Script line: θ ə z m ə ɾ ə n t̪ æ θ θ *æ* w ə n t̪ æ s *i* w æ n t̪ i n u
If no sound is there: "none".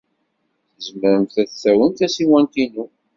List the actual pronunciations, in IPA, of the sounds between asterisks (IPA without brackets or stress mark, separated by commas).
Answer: æ, i